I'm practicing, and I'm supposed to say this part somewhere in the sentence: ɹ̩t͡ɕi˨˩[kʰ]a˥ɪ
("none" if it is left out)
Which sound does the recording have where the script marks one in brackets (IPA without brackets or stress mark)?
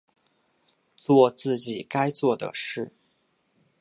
k